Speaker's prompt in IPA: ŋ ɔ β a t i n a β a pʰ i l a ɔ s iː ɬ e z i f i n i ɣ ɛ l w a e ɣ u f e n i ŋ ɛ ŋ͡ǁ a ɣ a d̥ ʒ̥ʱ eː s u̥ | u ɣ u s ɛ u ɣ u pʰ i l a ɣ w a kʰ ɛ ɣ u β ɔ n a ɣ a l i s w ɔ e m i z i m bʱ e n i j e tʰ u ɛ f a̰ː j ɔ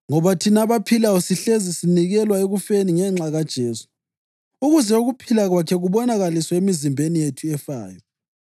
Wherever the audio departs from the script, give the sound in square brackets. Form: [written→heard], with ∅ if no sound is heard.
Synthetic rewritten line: ŋ ɔ β a [t→tʰ] i n a β a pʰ i l a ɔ s [iː→i] ɬ e z i [f→s] i n i ɣ ɛ l w a e ɣ u f e n i ŋ ɛ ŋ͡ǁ a ɣ a d̥ ʒ̥ʱ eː s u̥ | u ɣ u [s→z] ɛ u ɣ u pʰ i l a ɣ w a kʰ ɛ ɣ u β ɔ n a ɣ a l i s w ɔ e m i z i m bʱ e n i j e tʰ u ɛ f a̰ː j ɔ